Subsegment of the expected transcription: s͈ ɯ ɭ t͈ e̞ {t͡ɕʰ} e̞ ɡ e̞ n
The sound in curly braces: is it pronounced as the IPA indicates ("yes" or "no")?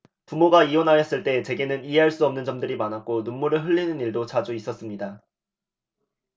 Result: no